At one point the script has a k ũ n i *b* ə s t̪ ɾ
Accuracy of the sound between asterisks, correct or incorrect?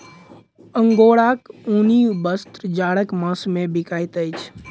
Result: correct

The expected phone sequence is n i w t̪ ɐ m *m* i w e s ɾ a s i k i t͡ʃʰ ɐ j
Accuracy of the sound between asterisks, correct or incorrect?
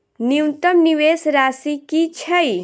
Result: incorrect: n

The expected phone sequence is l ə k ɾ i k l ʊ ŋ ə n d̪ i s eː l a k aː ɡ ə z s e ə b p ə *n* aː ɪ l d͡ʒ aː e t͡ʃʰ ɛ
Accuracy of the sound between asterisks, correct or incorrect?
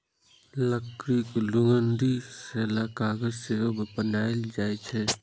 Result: correct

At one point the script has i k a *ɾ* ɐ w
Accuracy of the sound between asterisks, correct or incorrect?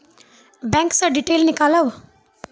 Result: incorrect: l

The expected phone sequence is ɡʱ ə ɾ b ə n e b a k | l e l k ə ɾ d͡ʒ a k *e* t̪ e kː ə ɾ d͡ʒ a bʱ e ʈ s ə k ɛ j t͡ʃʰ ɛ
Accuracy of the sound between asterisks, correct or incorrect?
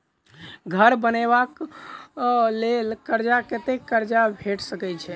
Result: correct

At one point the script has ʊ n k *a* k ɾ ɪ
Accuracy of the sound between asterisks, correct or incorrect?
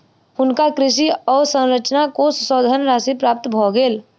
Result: correct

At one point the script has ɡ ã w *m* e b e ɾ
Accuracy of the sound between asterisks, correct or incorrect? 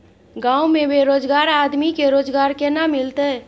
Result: correct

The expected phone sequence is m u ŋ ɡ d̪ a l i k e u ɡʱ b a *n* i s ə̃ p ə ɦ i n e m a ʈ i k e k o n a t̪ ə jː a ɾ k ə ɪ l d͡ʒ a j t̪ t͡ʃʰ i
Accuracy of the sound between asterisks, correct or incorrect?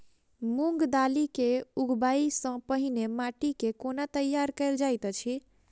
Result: incorrect: none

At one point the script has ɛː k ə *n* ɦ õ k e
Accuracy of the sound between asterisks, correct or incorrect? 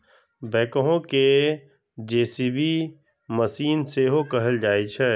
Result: incorrect: none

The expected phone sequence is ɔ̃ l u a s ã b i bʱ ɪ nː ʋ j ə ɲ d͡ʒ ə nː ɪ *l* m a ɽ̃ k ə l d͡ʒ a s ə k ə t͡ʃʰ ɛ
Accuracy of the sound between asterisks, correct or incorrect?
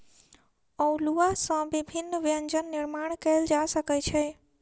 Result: incorrect: ɾ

